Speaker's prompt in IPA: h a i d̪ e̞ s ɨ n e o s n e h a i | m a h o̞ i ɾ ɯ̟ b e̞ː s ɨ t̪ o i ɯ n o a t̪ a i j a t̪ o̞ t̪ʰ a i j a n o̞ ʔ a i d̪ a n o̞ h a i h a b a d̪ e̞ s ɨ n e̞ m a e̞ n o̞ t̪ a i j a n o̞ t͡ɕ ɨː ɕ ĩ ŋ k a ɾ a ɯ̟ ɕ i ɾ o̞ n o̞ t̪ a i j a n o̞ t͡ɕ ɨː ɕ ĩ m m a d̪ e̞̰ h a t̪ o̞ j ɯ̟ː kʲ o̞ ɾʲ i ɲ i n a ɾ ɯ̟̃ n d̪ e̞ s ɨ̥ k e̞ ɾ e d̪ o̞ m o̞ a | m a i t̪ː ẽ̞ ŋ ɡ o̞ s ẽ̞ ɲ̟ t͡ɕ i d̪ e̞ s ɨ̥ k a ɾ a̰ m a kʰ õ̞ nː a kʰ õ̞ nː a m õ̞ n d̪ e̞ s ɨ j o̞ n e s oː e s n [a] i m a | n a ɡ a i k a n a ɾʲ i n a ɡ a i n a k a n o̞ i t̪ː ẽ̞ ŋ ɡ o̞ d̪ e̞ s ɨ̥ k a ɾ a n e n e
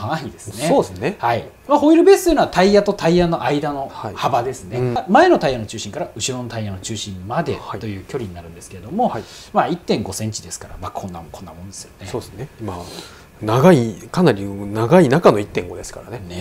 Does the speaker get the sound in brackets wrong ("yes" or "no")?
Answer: yes